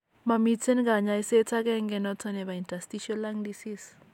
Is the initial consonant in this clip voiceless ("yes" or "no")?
no